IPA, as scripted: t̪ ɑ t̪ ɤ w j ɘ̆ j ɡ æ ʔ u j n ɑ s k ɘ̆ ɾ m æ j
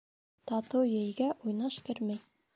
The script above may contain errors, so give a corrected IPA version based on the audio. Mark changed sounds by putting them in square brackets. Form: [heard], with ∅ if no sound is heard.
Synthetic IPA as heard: t̪ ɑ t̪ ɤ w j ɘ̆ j ɡ æ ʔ u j n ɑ [ʃ] k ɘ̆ ɾ m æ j